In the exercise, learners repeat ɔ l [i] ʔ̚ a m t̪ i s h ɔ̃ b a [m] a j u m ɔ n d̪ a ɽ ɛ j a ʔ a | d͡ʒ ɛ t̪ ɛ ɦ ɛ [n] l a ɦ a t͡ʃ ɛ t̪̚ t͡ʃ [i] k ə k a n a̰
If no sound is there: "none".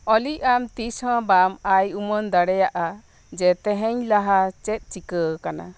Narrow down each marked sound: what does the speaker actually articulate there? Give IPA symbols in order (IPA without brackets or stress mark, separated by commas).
i, m, ɲ, i